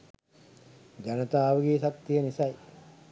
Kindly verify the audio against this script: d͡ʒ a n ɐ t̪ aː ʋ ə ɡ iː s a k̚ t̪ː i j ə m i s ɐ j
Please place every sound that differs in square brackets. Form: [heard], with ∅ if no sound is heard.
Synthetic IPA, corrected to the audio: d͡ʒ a n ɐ t̪ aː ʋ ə ɡ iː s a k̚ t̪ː i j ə [n] i s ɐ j